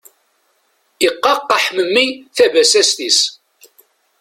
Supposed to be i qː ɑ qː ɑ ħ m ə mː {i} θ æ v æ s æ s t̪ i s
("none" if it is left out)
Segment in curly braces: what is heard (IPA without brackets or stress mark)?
i